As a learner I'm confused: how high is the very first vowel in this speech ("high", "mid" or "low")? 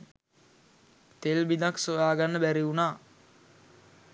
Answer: mid